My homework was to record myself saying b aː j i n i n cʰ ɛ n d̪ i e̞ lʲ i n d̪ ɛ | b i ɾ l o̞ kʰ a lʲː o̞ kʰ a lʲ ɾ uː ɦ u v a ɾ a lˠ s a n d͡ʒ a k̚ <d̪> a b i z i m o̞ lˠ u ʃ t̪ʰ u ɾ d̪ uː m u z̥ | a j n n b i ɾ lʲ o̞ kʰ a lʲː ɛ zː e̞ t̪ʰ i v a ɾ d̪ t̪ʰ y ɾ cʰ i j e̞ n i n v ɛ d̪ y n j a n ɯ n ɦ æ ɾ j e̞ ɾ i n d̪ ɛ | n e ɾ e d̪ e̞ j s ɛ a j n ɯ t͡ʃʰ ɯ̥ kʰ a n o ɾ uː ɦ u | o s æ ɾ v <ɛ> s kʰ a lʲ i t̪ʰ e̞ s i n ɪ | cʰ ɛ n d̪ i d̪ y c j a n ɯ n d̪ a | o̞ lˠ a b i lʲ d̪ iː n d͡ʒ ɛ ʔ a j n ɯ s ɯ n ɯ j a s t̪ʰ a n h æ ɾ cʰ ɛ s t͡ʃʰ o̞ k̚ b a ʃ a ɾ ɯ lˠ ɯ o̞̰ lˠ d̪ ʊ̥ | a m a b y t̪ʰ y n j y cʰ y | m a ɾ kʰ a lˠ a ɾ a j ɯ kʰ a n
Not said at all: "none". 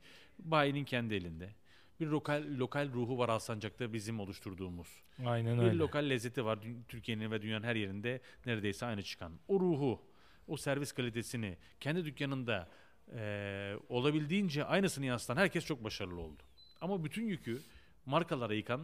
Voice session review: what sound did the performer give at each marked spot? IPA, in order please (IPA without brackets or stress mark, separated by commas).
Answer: t̪, i